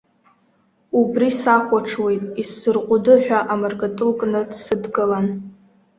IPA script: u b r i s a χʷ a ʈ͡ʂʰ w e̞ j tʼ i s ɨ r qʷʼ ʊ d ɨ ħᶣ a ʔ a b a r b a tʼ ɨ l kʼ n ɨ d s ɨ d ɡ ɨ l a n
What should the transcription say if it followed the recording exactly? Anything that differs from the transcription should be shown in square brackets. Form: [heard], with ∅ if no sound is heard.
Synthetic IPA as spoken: u b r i s a χʷ a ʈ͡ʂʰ w e̞ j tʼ i s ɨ r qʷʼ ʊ d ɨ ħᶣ a ʔ a [m] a r [ɡ] a tʼ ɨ l kʼ n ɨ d s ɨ d ɡ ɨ l a n